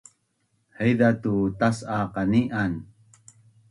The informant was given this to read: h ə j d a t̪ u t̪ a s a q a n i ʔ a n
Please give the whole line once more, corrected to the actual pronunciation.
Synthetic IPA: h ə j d a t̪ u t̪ a s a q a n i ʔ a n